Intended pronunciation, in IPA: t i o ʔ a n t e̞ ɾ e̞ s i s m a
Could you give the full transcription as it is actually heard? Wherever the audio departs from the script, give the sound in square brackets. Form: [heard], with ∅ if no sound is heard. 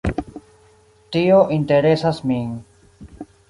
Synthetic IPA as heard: t i o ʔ [i] n t e̞ ɾ e̞ s [a] s m [i]